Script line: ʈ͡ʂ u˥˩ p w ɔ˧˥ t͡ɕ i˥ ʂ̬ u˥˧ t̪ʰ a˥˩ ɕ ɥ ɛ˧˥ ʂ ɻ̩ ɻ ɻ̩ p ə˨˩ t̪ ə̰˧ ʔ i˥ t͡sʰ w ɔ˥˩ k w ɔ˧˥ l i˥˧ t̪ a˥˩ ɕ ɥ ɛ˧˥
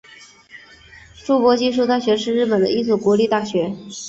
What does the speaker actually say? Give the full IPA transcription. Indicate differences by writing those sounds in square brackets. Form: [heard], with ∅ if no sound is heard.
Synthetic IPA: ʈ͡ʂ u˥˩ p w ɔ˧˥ t͡ɕ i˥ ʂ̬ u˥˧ [t̪] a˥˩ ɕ ɥ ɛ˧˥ ʂ ɻ̩ ɻ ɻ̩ p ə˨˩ [d̪] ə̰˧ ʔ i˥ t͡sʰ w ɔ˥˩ k w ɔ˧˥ l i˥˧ t̪ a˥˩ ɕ ɥ ɛ˧˥